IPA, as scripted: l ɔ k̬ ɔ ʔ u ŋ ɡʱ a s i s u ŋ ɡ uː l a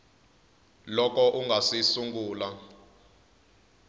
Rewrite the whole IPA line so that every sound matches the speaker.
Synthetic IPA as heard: l ɔ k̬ ɔ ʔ u ŋ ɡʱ a s i s u ŋ ɡ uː l a